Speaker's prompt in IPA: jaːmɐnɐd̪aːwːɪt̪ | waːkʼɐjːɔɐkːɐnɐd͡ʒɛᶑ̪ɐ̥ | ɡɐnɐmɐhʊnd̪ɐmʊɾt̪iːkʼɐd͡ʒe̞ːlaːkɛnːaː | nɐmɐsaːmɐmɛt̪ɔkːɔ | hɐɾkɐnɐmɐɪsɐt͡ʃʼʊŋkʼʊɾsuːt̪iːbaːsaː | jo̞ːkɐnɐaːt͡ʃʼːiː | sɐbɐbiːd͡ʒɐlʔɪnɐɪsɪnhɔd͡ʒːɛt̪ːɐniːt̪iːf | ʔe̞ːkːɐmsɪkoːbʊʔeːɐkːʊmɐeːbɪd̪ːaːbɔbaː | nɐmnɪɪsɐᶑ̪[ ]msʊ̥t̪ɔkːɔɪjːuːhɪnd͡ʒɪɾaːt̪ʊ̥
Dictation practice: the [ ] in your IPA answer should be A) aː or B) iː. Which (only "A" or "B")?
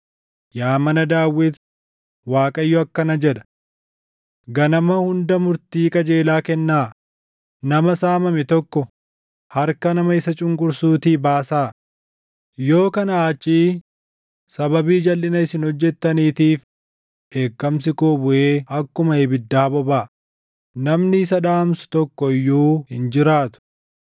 A